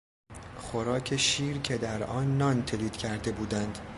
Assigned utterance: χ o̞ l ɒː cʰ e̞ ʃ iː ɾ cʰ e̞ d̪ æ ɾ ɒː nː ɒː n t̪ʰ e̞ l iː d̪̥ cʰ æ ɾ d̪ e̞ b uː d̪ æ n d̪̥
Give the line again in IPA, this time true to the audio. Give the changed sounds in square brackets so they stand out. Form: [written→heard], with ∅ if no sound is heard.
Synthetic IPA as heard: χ o̞ [l→ɾ] ɒː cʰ e̞ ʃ iː ɾ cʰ e̞ d̪ æ ɾ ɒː nː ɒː n t̪ʰ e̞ l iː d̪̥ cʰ æ ɾ d̪ e̞ b uː d̪ æ n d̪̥

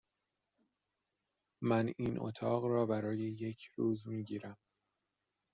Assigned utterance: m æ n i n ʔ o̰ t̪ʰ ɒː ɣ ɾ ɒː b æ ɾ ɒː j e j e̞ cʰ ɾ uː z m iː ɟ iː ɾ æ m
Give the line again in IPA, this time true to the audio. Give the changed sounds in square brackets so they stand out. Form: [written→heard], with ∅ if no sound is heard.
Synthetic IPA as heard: m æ n i n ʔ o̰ t̪ʰ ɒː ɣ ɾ ɒː b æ ɾ ɒː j e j e̞ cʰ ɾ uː z m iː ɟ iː ɾ æ m

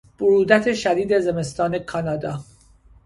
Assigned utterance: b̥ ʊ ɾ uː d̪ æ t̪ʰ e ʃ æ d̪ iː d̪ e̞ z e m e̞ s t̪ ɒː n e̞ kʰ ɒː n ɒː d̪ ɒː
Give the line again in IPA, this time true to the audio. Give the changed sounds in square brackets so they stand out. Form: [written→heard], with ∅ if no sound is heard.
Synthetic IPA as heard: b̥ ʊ ɾ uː d̪ æ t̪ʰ e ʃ æ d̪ iː d̪ e̞ z e m e̞ s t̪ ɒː n e̞ kʰ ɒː n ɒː d̪ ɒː

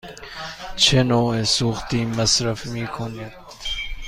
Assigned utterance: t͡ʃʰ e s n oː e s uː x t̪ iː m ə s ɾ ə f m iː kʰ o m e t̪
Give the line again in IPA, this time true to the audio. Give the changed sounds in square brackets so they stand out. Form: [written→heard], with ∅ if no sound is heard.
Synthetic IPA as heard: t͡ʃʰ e [s→∅] n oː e s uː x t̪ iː m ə s ɾ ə f m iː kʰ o [m→n] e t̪

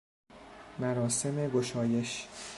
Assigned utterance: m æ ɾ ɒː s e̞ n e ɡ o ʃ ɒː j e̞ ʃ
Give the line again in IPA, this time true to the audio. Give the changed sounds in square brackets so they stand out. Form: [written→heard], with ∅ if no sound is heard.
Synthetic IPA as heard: m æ ɾ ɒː s e̞ [n→m] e ɡ o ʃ ɒː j e̞ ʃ

